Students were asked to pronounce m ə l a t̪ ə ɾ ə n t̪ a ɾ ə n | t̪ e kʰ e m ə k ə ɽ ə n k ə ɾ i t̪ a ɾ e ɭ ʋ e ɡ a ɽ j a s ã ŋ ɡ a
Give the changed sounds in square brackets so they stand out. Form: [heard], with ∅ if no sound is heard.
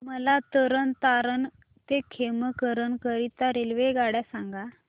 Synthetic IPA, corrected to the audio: m ə l a t̪ ə ɾ ə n t̪ a ɾ ə n | t̪ e kʰ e m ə k ə [ɾ] ə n k ə ɾ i t̪ a ɾ e [l] ʋ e ɡ a ɽ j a s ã ŋ ɡ a